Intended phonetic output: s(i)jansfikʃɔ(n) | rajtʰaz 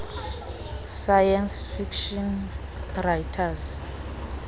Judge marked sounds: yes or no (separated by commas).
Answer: no, yes